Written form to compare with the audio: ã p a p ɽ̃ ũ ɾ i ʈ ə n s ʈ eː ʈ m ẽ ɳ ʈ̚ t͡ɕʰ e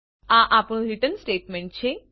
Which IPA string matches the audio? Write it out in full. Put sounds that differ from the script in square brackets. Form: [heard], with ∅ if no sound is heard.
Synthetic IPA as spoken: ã [ʔ] a p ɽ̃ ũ ɾ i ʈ ə n s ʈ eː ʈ m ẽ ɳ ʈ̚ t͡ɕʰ e